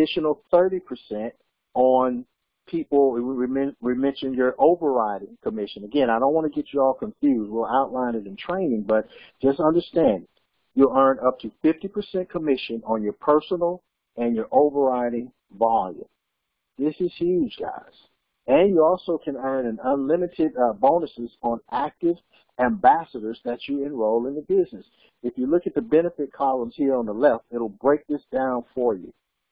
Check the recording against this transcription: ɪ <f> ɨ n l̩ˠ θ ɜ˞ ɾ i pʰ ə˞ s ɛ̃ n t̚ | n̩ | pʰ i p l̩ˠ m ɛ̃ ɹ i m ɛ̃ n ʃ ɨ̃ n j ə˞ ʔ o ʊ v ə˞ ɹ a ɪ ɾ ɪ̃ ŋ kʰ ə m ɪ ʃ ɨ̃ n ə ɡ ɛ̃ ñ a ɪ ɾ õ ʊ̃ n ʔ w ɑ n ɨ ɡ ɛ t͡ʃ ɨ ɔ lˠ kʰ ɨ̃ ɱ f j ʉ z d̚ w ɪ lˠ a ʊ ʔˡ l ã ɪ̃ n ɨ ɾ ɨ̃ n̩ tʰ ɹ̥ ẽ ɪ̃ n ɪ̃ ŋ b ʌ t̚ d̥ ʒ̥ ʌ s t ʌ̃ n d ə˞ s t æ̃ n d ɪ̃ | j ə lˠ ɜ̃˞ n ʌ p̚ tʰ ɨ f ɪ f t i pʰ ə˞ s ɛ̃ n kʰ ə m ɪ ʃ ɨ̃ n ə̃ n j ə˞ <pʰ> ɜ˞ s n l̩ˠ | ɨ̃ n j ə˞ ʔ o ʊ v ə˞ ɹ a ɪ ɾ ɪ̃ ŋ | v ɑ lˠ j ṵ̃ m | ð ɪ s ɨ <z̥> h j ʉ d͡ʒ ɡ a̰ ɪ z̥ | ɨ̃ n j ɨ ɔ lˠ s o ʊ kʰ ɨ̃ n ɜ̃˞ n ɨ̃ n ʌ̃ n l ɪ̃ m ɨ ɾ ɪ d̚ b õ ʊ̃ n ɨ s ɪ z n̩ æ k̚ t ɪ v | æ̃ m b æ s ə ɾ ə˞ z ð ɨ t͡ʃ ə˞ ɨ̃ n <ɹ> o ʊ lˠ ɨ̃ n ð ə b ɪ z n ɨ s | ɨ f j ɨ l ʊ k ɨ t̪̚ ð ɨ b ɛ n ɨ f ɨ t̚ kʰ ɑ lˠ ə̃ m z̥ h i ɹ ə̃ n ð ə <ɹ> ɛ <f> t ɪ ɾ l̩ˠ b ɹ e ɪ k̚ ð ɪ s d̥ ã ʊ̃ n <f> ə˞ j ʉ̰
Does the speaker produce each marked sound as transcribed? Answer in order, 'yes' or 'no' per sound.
no, yes, yes, yes, no, yes, yes

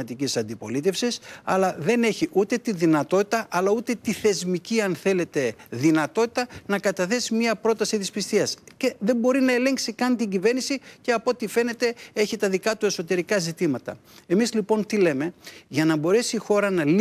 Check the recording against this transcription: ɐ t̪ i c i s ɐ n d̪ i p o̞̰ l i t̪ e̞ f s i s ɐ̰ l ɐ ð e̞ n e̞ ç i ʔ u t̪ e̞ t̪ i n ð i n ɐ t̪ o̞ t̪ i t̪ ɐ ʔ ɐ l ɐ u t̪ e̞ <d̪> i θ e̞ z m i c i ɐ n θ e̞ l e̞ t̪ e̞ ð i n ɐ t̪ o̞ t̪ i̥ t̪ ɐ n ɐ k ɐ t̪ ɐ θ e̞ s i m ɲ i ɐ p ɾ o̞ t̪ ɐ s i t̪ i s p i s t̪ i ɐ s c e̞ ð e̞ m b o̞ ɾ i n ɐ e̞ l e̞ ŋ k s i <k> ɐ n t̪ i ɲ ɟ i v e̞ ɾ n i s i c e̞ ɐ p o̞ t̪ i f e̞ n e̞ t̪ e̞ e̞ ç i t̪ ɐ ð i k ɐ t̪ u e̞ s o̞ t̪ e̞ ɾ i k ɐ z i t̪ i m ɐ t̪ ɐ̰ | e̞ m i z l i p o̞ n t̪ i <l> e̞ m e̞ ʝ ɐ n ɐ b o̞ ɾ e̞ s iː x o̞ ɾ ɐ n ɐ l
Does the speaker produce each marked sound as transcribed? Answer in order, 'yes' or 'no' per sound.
no, yes, yes

